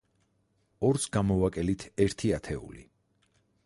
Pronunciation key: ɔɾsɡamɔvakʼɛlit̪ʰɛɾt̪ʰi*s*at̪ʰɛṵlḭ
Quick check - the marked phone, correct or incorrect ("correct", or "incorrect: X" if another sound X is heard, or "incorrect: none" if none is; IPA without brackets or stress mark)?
incorrect: none